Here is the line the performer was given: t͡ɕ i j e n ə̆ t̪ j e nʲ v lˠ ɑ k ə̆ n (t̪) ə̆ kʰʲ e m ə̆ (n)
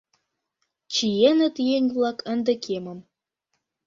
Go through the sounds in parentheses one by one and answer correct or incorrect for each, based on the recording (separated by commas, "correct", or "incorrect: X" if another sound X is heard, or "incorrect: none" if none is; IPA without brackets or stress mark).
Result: incorrect: d̪, incorrect: m